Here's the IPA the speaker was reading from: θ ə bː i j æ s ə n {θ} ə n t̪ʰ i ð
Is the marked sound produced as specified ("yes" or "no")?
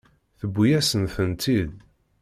yes